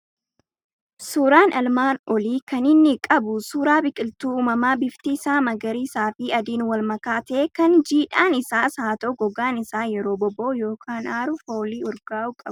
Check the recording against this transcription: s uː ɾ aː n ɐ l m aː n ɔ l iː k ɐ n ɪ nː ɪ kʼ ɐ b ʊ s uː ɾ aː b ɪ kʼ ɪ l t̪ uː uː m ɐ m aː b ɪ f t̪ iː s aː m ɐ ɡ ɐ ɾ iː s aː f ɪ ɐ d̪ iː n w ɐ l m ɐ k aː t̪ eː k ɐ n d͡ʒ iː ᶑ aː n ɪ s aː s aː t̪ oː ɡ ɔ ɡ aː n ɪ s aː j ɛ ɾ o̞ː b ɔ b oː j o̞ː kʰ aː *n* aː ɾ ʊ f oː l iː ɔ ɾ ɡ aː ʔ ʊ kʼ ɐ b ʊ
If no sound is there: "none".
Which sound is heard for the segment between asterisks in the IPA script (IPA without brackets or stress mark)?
n